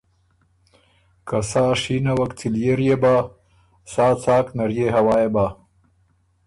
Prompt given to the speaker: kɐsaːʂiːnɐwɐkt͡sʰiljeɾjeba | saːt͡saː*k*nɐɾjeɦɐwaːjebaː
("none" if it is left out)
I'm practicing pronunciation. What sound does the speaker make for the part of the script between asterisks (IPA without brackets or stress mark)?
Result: k